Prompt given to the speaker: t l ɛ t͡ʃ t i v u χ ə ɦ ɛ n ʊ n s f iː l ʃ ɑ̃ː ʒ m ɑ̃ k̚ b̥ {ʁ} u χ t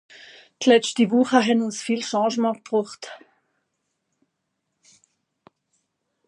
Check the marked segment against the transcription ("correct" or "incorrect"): correct